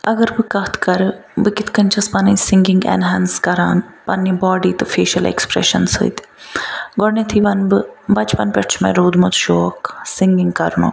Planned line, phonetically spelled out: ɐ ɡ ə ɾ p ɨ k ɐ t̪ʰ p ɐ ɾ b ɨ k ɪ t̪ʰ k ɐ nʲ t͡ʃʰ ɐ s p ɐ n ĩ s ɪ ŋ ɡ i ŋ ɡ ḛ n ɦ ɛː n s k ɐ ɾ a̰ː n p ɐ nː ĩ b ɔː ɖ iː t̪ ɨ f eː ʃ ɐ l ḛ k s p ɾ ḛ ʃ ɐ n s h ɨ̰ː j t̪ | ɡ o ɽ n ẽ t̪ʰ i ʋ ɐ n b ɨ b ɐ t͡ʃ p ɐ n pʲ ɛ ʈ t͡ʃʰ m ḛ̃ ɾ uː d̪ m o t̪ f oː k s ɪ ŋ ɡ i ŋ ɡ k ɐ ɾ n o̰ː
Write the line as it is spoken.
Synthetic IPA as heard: ɐ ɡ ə ɾ b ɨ k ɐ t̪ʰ k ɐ ɾ b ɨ k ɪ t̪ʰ k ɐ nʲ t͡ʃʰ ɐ s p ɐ n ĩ s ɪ ŋ ɡ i ŋ ɡ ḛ n ɦ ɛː n s k ɐ ɾ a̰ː n p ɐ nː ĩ b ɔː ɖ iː t̪ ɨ f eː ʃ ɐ l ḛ k s p ɾ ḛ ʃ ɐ n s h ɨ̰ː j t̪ | ɡ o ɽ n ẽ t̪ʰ i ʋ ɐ n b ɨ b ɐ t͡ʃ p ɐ n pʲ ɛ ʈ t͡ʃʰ m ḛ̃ ɾ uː d̪ m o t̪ ʃ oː k s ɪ ŋ ɡ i ŋ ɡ k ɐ ɾ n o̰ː

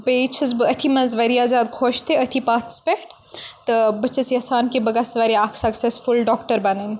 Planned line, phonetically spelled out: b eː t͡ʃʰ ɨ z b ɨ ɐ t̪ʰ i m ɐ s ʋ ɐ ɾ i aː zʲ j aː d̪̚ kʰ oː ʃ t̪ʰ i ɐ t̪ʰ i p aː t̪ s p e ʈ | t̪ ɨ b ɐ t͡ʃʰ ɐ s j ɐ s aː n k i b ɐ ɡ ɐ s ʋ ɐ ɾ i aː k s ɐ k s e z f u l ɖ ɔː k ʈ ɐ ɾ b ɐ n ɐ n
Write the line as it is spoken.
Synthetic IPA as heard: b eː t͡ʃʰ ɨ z b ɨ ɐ t̪ʰ i m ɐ z ʋ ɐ ɾ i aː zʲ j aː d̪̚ kʰ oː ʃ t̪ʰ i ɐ t̪ʰ i p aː t̪ s p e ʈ | t̪ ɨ b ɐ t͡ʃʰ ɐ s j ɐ s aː n k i b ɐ ɡ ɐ s ʋ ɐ ɾ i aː k s ɐ k s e s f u l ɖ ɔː k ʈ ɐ ɾ b ɐ n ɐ n

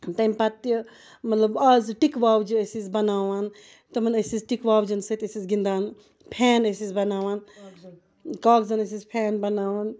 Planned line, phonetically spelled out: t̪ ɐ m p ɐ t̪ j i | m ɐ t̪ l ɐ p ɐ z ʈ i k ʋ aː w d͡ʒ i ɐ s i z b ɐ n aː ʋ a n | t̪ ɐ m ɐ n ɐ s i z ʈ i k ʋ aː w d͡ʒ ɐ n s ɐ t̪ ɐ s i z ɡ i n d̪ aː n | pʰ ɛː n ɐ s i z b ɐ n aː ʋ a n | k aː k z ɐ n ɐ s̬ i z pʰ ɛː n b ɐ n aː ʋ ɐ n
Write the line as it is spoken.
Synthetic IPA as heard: t̪ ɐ m p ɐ t̪ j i | m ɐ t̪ l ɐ b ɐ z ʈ i k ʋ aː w d͡ʒ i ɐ s i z b ɐ n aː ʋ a n | t̪ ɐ m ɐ n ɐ s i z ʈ i k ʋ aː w d͡ʒ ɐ n s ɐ t̪ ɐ s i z ɡ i n d̪ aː n | pʰ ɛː n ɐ s i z b ɐ n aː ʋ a n | k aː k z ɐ n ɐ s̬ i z pʰ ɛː n b ɐ n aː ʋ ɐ n

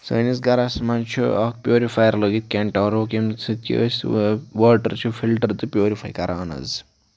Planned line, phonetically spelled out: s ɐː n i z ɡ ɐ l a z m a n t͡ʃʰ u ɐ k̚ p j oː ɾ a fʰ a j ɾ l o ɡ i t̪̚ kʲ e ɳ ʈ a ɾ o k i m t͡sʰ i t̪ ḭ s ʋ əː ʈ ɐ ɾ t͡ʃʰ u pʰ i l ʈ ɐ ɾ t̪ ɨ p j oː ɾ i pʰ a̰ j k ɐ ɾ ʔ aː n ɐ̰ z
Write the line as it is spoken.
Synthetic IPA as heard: s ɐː n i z ɡ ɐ ɾ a s m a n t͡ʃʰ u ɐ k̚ p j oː ɾ i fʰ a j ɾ l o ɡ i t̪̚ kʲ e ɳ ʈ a ɾ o k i m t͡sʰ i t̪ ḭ s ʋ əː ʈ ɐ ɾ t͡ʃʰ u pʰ i l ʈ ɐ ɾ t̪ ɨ p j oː ɾ i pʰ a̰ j k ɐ ɾ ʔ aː n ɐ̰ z

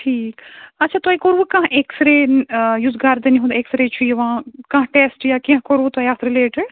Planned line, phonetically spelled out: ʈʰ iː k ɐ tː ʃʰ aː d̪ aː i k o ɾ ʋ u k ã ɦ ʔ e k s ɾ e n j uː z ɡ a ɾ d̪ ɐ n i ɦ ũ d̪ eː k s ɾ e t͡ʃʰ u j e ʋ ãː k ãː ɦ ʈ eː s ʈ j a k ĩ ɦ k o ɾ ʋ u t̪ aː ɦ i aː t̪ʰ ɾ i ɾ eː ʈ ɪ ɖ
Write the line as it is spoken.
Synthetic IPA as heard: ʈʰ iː k ɐ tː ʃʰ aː t̪ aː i k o ɾ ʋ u k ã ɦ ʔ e k s ɾ e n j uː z ɡ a ɾ d̪ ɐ n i ɦ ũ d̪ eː k s ɾ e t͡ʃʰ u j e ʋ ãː k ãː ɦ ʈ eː s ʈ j a k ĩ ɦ k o ɾ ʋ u t̪ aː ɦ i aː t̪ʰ ɾ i l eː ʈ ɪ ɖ

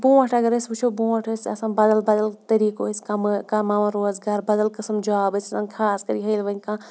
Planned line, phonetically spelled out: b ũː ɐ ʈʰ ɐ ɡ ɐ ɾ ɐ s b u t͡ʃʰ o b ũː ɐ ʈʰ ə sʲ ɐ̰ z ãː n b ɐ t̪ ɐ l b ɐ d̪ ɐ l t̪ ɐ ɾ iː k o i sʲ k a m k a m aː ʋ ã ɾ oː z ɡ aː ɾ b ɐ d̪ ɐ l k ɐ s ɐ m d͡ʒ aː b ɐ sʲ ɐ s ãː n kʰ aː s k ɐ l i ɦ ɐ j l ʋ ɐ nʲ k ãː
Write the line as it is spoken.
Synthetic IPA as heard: b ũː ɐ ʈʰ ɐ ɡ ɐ ɾ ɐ s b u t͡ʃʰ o b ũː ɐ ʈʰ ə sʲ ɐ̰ s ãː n b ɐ d̪ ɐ l b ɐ d̪ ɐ l t̪ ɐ ɾ iː k o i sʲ k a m k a m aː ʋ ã ɾ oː z ɡ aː ɾ b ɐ d̪ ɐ l k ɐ s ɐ m d͡ʒ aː b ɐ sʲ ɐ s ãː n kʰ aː s k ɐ ɾ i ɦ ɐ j l ʋ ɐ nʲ k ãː

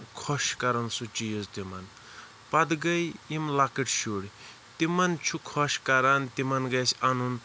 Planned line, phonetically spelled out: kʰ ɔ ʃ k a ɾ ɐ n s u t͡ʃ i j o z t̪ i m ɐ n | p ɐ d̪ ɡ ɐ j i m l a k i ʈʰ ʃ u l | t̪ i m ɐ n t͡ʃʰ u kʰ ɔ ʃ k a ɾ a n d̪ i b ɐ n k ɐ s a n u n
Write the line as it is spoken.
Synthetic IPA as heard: kʰ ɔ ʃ k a ɾ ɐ n s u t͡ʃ i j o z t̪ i m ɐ n | p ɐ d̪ ɡ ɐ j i m l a k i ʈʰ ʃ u ɽ | t̪ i m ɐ n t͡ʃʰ u kʰ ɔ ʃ k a ɾ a n t̪ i m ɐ n ɡ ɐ s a n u n

